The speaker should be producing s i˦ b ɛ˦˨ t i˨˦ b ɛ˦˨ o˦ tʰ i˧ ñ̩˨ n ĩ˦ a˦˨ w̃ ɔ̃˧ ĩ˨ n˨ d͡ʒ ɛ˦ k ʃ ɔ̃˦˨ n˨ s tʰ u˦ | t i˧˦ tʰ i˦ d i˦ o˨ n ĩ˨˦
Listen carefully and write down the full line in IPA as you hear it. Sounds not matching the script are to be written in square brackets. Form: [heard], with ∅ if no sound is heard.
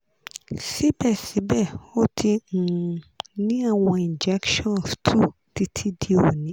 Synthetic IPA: s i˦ b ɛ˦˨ [s] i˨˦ b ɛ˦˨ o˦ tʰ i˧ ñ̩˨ n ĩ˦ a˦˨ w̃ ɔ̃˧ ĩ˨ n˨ d͡ʒ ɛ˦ k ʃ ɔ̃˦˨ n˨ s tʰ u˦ | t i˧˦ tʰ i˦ d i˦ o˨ n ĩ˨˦